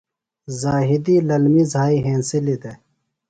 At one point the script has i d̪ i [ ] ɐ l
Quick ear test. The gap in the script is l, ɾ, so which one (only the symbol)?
l